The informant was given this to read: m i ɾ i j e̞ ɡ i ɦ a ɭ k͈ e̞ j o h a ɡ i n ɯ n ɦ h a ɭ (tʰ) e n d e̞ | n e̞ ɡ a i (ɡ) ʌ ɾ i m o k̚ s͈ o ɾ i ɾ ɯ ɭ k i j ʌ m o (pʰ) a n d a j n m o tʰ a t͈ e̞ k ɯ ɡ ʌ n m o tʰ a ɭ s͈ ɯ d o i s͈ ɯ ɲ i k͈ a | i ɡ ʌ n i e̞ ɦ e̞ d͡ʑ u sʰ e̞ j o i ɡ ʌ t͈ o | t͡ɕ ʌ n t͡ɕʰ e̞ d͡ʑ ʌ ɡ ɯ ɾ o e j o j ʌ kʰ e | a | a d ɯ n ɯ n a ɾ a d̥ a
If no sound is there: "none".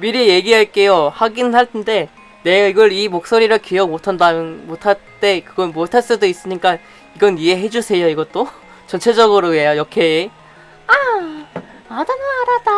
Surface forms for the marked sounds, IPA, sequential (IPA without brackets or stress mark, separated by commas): tʰ, ɡ, tʰ